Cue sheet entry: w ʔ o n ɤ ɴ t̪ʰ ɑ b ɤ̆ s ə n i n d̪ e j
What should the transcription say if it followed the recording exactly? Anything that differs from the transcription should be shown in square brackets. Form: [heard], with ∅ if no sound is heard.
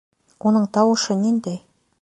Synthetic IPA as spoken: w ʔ o n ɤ ɴ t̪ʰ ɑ [w] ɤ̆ [ʃ] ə n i n d̪ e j